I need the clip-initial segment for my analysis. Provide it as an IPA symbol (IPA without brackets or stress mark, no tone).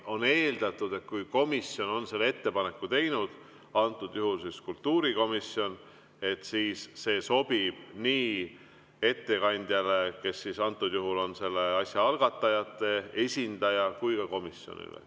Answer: o̞